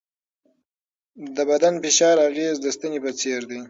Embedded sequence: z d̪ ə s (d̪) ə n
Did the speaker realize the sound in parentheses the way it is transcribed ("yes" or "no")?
no